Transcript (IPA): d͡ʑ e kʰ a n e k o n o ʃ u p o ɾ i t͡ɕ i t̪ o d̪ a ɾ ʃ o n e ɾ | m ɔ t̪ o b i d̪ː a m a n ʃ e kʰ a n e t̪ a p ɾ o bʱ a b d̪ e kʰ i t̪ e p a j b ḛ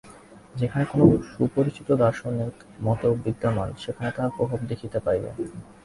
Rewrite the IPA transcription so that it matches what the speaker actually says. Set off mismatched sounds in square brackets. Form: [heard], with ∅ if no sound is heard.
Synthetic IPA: d͡ʑ e kʰ a n e k o n o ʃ u p o ɾ i t͡ɕ i t̪ o d̪ a ɾ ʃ o n e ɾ | m ɔ t̪ o b i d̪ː a m a n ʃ e kʰ a n e t̪ a p ɾ o bʱ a b d̪ e kʰ i t̪ e p a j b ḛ